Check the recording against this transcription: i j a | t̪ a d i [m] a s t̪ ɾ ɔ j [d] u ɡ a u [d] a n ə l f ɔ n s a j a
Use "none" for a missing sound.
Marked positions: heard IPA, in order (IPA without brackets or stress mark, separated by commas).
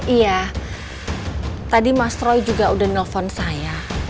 m, d͡ʒ, d